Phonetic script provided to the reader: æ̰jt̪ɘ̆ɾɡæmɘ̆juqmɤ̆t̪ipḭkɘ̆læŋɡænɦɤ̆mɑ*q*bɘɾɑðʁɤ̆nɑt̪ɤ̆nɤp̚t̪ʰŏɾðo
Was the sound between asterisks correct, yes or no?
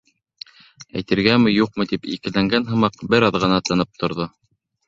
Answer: yes